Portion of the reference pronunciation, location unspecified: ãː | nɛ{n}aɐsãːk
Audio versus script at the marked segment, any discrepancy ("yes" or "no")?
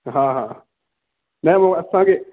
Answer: yes